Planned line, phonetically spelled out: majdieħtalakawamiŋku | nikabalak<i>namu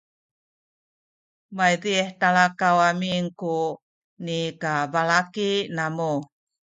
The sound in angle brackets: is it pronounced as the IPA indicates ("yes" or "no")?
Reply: yes